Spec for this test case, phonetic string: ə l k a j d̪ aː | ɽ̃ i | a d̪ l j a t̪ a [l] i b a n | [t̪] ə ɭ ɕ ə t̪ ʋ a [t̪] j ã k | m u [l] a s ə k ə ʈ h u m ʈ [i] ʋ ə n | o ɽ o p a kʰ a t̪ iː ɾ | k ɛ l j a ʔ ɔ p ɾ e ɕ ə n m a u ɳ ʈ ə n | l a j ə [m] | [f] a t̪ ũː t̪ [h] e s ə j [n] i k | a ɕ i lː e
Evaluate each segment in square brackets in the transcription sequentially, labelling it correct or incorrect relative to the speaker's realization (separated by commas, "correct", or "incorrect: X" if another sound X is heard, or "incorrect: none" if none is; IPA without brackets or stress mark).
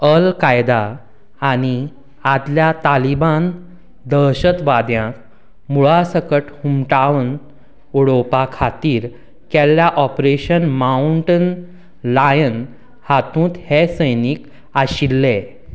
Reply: correct, incorrect: d̪, incorrect: d̪, incorrect: ɭ, incorrect: a, incorrect: n, incorrect: h, correct, correct